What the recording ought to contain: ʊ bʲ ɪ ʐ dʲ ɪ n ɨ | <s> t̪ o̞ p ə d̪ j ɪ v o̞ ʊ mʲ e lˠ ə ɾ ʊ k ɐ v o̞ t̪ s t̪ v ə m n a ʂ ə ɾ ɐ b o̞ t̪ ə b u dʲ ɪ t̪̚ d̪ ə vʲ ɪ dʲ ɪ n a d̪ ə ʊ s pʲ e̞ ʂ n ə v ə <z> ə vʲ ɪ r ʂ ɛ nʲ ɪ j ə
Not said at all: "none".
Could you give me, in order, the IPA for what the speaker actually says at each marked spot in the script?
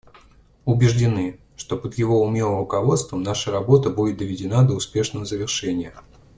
ʂ, z

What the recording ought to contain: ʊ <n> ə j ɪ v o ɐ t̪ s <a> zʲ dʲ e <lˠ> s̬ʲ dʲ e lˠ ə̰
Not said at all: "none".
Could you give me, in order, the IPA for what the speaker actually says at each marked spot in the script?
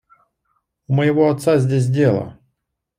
m, a, none

